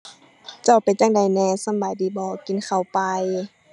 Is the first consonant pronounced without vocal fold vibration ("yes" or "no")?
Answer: yes